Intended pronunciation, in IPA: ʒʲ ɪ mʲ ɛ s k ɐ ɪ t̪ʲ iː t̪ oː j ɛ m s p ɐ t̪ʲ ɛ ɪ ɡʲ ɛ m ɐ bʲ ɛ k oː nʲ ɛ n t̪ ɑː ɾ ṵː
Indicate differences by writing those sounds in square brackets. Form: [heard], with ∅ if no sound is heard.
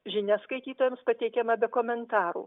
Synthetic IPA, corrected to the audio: ʒʲ ɪ [nʲ] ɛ s k ɐ ɪ t̪ʲ iː t̪ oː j ɛ m s p ɐ t̪ʲ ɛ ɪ [kʲ] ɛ m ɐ bʲ ɛ k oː [mʲ] ɛ n t̪ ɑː ɾ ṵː